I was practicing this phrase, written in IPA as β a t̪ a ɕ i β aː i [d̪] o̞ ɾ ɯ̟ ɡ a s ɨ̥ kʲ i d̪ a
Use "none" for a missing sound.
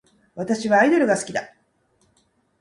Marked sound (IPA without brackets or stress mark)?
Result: d̪